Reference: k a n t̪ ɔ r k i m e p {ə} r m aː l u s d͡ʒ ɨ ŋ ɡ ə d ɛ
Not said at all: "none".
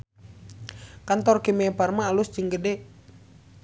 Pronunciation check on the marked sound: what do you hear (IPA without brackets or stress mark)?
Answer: a